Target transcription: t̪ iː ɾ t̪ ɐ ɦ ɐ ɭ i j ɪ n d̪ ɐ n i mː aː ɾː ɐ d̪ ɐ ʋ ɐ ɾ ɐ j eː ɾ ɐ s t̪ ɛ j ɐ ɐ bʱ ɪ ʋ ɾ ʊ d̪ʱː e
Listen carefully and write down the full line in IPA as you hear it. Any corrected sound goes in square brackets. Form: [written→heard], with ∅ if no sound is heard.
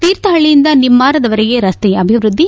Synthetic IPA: t̪ iː ɾ t̪ ɐ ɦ ɐ ɭ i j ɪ n d̪ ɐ n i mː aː [ɾː→ɾ] ɐ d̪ ɐ ʋ ɐ ɾ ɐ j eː ɾ ɐ s t̪ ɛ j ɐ ɐ bʱ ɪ ʋ ɾ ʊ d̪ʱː [e→i]